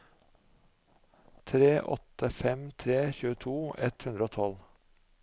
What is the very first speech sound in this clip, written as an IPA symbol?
t̪ʰ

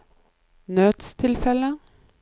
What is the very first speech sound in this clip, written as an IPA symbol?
n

